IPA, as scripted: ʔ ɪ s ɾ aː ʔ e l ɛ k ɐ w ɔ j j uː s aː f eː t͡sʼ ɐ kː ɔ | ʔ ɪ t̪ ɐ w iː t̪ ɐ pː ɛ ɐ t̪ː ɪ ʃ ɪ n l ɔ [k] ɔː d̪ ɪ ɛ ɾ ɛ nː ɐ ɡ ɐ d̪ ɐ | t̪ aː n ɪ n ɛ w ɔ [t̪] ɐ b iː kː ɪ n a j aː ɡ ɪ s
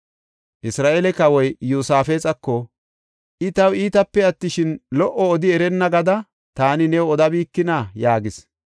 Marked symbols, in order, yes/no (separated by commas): no, no